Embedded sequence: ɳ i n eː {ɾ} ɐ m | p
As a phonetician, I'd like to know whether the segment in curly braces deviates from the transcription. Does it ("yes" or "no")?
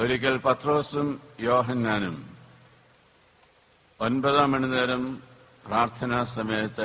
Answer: no